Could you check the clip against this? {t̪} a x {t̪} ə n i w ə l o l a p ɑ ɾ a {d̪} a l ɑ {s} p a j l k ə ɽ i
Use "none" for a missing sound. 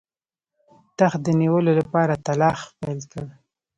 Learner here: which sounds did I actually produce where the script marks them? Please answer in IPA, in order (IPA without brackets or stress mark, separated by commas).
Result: t̪, d̪, t̪, x